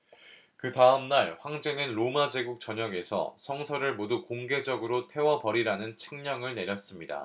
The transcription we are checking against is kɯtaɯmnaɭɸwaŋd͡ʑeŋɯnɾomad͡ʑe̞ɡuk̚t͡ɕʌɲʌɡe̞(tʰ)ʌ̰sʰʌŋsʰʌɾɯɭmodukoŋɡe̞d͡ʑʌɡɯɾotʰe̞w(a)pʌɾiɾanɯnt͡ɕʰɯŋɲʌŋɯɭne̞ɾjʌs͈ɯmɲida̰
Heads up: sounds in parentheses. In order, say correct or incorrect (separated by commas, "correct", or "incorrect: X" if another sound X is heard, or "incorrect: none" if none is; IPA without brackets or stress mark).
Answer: incorrect: sʰ, incorrect: ʌ